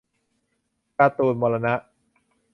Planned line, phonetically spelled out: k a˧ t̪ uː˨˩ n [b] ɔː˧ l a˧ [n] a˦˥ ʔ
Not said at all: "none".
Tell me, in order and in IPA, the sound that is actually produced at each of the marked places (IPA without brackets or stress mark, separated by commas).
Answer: m, n